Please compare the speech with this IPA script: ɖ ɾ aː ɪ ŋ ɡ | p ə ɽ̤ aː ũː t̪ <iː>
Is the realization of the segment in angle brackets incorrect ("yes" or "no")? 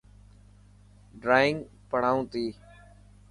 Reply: no